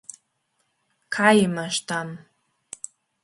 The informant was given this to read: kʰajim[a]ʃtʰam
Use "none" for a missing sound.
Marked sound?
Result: a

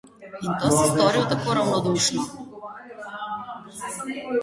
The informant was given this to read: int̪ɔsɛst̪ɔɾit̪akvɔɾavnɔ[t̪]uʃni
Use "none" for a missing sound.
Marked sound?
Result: d̪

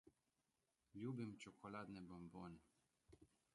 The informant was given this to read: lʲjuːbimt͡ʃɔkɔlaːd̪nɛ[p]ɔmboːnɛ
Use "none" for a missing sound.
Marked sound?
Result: b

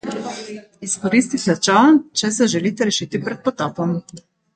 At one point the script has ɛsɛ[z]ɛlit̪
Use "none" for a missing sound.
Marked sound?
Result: ʒ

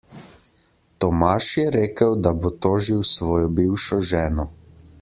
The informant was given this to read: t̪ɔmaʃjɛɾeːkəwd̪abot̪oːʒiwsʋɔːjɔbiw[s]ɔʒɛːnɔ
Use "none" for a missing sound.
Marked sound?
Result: ʃ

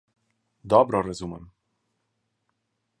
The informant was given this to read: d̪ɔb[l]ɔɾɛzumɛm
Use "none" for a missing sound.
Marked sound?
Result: ɾ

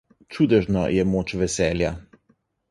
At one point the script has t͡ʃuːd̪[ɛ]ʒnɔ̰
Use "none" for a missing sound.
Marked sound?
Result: ɛ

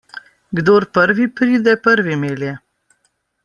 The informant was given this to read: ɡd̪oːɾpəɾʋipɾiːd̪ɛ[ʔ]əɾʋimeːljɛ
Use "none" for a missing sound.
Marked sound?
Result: p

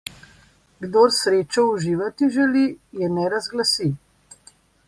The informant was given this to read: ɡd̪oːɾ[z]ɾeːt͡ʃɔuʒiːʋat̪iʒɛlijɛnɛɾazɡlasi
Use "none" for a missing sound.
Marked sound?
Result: s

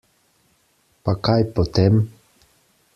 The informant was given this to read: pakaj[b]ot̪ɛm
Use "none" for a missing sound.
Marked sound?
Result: p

